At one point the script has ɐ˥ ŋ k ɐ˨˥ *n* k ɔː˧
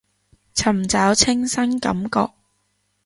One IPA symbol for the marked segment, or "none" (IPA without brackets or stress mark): m